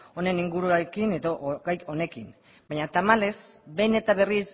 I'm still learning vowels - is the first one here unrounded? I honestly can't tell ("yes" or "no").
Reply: no